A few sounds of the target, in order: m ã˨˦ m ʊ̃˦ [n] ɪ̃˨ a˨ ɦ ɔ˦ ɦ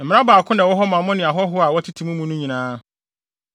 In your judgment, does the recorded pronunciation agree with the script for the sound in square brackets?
yes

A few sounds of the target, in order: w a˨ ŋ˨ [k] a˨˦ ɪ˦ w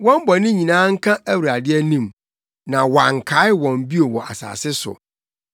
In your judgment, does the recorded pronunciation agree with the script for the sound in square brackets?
no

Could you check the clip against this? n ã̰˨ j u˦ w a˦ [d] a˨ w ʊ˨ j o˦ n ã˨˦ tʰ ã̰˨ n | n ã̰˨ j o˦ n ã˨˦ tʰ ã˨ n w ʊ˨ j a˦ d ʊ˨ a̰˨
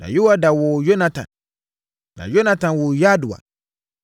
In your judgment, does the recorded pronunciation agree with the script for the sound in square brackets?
yes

